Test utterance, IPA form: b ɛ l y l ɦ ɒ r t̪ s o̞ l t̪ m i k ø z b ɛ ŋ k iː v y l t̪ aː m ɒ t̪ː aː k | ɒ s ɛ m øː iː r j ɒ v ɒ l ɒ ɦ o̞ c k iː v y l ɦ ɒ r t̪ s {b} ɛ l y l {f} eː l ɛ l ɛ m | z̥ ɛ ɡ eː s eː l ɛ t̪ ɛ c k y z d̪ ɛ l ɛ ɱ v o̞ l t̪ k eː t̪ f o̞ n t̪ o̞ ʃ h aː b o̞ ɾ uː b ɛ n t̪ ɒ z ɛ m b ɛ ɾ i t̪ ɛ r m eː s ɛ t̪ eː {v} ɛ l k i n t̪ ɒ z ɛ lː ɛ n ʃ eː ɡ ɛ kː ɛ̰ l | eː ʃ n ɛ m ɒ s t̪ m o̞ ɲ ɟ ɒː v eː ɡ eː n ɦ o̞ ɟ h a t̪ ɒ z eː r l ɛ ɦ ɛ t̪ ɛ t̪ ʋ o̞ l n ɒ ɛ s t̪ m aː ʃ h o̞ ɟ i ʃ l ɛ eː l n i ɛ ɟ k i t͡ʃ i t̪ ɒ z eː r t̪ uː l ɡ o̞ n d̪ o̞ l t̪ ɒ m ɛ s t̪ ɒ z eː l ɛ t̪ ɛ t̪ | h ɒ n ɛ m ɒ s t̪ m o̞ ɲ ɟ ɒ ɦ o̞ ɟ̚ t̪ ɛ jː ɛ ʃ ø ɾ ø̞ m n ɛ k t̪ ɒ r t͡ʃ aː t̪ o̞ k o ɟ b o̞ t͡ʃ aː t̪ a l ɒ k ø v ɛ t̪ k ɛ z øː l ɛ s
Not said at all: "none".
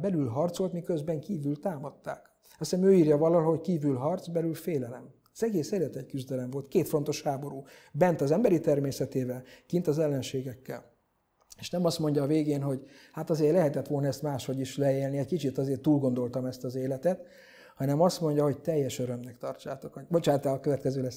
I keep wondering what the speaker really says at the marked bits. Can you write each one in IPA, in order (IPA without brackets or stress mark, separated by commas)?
b, f, v